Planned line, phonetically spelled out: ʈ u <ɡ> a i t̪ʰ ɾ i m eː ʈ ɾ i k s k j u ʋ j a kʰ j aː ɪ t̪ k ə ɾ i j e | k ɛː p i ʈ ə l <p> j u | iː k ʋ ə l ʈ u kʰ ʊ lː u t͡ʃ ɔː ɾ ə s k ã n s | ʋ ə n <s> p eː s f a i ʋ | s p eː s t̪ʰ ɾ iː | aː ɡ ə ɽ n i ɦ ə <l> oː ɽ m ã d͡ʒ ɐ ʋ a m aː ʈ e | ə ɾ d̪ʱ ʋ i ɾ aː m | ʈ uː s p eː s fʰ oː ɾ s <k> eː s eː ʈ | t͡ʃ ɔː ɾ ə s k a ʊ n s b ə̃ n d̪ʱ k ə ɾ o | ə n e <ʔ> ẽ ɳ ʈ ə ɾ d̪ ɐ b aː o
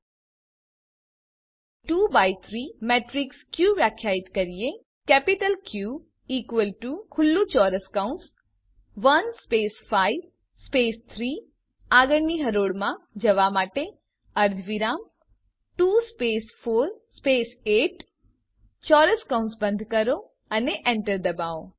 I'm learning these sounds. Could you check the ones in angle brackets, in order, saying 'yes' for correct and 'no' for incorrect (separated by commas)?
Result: no, no, yes, no, no, yes